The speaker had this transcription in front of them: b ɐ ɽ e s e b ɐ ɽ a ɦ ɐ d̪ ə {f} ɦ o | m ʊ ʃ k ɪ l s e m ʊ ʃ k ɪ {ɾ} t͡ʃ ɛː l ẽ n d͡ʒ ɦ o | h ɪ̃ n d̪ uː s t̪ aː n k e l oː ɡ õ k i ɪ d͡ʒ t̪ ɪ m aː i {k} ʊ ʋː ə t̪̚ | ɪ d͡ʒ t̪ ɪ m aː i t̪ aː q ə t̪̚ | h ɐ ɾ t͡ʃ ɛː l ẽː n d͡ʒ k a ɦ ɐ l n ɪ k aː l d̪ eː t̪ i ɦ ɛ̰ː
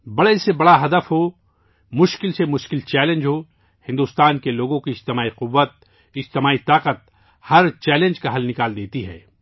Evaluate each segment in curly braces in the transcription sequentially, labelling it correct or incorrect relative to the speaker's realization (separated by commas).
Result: correct, incorrect, incorrect